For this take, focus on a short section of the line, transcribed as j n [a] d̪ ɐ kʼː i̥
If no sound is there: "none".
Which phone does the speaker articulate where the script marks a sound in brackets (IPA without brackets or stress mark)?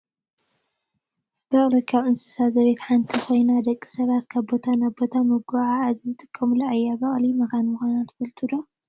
a